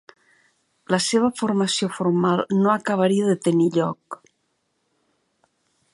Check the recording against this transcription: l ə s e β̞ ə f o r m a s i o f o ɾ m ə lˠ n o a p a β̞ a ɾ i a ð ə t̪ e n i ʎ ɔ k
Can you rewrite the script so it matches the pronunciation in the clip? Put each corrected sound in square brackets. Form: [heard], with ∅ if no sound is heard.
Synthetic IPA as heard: l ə s e β̞ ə f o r m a s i o f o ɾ m [a] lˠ n o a [k] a β̞ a ɾ i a ð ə t̪ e n i ʎ ɔ k